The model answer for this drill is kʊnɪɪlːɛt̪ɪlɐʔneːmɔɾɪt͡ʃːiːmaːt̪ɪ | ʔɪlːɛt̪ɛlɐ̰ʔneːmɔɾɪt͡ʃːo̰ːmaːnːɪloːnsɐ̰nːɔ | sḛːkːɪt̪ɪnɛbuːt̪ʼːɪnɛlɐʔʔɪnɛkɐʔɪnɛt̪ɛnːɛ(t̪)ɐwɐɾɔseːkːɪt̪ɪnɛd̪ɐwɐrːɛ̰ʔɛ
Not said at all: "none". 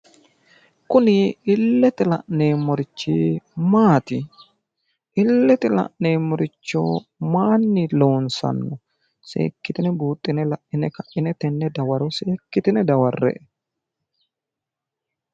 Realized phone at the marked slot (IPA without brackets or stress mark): d̪